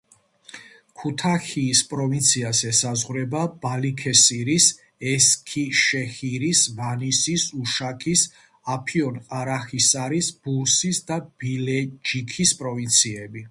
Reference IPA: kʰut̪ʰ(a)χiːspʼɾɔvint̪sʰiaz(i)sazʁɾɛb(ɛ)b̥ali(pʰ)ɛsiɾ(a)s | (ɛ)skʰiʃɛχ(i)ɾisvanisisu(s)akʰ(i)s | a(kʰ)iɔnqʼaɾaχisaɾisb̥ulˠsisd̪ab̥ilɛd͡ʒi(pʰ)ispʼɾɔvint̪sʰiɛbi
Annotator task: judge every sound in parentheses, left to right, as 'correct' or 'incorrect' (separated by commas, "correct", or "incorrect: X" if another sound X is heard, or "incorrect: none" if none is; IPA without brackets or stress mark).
correct, incorrect: ɛ, incorrect: a, incorrect: kʰ, incorrect: i, correct, correct, incorrect: ʃ, correct, incorrect: pʰ, incorrect: kʰ